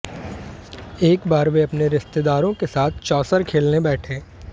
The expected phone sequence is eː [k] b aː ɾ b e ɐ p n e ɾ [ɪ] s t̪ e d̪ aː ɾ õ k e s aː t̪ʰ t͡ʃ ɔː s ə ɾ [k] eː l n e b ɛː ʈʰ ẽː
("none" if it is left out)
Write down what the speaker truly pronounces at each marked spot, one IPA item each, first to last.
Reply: k, ɪ, kʰ

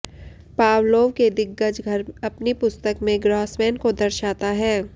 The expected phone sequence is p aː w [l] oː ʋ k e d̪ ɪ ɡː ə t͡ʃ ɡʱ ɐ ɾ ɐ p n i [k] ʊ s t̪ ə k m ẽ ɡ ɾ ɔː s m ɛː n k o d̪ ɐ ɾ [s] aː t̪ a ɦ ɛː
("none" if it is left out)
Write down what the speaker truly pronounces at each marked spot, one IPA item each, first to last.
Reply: l, p, ʃ

